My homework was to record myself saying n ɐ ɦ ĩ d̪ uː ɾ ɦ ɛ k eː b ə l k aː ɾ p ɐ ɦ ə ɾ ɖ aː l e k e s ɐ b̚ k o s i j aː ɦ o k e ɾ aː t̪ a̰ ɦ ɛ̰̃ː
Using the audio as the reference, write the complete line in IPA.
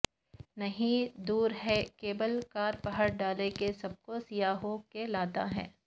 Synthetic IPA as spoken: n ɐ ɦ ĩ d̪ uː ɾ ɦ ɛ k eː b ə l k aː ɾ p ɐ ɦ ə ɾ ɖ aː l e k e s ɐ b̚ k o s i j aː ɦ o k e l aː t̪ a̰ ɦ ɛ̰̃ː